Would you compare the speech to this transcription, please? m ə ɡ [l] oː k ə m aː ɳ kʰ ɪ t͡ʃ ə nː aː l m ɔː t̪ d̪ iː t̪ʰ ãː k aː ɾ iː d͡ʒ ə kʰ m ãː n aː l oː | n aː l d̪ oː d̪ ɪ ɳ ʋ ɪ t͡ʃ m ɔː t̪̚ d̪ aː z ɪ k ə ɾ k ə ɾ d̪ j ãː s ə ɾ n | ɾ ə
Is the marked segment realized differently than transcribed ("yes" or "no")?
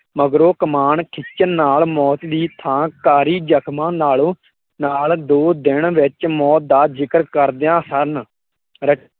yes